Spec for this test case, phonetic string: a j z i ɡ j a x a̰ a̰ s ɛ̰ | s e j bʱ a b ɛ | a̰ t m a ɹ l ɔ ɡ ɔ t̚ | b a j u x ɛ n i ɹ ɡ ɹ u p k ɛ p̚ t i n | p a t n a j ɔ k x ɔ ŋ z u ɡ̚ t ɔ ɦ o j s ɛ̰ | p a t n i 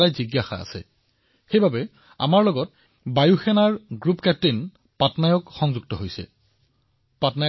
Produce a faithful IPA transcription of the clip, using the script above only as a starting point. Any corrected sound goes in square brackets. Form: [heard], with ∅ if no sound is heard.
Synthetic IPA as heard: a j z i ɡ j a x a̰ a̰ s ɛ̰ | [x] e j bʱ a b ɛ | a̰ [∅] m a ɹ l ɔ ɡ ɔ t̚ | b a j u x ɛ n [a] ɹ ɡ ɹ u p k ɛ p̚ t i n | p a t n a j ɔ k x ɔ ŋ z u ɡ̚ t ɔ ɦ o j s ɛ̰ | p a t n [a]